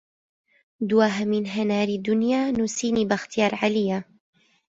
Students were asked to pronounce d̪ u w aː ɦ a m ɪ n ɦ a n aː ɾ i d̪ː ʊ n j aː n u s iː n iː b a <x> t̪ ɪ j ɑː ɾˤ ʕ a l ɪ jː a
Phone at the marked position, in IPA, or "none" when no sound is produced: x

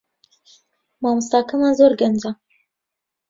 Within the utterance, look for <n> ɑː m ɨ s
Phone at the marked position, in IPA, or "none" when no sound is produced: m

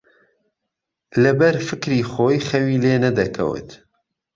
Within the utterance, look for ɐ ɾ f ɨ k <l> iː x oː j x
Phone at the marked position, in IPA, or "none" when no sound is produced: ɾ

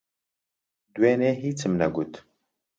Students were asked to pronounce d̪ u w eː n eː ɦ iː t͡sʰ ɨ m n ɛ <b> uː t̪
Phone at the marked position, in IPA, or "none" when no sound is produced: ɡ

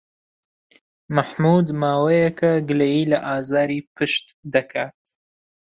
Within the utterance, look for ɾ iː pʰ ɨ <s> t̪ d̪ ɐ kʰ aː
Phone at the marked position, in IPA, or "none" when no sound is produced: ʃ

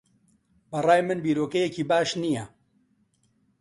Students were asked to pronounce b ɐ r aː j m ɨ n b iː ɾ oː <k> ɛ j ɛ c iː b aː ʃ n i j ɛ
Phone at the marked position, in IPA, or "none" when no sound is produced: k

